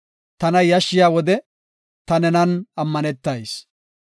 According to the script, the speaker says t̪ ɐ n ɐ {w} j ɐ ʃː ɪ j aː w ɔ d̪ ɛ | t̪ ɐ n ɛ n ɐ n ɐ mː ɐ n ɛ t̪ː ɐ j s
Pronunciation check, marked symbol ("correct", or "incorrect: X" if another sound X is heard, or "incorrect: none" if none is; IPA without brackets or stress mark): incorrect: none